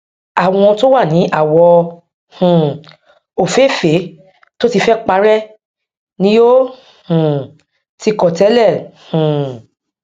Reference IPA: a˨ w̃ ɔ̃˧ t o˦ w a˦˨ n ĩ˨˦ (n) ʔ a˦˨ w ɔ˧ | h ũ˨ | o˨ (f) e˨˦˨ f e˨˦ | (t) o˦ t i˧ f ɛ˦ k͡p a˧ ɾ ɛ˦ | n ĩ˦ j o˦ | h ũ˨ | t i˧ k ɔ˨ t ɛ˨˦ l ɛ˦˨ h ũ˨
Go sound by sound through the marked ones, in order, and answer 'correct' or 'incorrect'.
incorrect: none, correct, correct

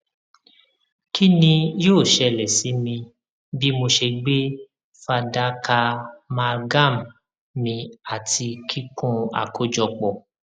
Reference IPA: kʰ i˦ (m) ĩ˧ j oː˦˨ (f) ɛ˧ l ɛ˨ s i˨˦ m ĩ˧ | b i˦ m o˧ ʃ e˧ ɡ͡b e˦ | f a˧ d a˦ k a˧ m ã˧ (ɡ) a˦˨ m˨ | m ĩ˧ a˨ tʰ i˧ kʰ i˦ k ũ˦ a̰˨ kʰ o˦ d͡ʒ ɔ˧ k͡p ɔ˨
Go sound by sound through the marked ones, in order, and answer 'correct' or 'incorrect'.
incorrect: n, incorrect: ʃ, correct

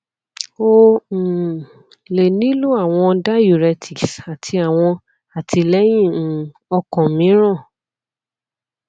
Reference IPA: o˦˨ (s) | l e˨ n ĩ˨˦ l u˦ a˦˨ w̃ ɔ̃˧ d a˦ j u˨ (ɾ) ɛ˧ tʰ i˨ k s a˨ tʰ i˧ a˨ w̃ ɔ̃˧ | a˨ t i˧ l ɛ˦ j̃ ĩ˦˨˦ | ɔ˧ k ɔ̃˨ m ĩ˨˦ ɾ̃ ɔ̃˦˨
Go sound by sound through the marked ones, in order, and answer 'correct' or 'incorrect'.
incorrect: none, correct

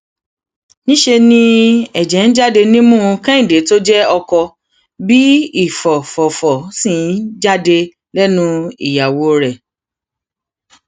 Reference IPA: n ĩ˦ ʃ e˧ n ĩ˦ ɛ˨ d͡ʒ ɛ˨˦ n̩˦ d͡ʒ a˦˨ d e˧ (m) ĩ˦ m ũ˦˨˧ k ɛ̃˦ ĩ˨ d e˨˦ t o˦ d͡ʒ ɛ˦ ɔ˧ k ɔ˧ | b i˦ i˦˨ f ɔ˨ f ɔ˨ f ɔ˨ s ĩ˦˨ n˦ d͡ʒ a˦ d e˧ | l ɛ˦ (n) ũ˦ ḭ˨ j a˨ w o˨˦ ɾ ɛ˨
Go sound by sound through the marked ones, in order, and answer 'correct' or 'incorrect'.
incorrect: n, correct

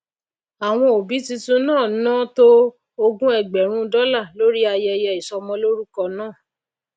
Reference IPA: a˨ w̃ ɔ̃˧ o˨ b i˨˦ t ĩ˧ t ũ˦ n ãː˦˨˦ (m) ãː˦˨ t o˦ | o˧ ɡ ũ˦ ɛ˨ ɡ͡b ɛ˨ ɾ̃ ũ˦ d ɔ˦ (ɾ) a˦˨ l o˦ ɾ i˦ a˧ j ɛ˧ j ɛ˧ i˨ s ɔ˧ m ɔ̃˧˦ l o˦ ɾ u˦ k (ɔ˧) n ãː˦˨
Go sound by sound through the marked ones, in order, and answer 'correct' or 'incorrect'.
incorrect: n, incorrect: l, correct

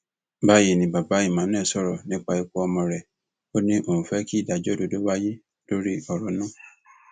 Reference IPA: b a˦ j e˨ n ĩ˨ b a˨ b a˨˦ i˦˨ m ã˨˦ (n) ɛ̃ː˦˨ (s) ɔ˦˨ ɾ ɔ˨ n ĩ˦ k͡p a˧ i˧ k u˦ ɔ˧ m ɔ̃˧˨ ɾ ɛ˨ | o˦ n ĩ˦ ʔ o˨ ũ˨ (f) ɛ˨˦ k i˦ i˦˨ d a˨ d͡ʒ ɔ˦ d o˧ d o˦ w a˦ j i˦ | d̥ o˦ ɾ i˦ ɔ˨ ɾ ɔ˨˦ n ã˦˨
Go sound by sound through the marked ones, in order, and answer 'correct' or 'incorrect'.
correct, correct, correct

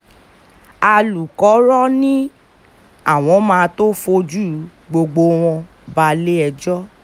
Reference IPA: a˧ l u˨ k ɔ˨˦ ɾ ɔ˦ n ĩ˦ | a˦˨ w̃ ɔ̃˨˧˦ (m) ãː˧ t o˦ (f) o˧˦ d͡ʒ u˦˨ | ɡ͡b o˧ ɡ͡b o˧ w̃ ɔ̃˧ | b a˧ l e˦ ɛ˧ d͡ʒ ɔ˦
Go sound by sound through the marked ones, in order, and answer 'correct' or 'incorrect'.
correct, correct

